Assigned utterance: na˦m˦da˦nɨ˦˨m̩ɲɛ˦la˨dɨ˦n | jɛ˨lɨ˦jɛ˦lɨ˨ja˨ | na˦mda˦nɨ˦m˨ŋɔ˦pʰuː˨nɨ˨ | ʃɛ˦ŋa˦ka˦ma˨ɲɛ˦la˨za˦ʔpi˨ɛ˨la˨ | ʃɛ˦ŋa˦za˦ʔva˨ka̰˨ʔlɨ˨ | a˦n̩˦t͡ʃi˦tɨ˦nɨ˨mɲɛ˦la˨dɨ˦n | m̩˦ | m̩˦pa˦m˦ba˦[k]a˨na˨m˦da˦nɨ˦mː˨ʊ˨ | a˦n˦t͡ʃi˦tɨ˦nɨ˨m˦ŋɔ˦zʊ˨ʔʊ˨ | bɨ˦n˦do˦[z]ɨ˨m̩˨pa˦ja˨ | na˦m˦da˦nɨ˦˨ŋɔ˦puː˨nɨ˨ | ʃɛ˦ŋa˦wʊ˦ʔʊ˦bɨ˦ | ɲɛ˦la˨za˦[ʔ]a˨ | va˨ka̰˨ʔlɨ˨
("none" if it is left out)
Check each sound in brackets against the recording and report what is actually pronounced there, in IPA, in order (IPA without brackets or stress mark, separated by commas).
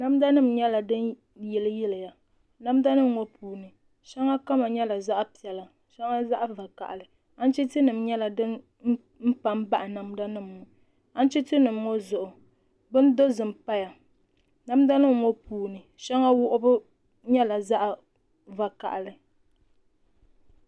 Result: ʔ, z, ʔ